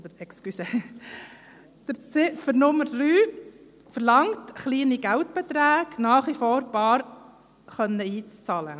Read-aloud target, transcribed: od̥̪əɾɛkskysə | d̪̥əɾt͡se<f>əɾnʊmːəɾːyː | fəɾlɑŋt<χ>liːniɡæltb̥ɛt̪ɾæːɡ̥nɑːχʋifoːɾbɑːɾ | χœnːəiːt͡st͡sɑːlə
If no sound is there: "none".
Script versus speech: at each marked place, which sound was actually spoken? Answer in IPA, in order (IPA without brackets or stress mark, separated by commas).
f, χ